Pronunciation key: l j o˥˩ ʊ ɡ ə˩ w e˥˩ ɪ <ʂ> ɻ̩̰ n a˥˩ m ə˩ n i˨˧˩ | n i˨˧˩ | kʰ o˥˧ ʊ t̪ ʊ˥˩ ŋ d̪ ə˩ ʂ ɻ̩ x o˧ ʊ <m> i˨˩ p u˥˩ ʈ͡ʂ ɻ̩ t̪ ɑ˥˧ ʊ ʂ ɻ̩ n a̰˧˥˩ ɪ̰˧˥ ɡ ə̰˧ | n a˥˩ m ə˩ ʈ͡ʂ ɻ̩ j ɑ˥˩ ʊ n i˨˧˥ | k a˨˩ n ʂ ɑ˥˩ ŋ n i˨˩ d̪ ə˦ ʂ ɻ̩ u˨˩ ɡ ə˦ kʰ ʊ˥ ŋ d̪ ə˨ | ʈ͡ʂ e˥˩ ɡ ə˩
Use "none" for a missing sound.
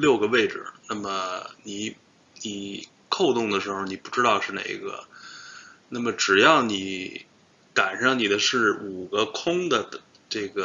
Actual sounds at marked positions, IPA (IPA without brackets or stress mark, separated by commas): ʈ͡ʂ, n